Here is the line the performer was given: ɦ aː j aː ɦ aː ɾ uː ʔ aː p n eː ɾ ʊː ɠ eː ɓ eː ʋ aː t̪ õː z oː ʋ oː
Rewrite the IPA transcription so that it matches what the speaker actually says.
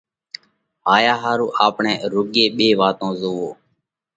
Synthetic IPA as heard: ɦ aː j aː ɦ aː ɾ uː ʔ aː p ɳ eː ɾ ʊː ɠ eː ɓ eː ʋ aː t̪ õː z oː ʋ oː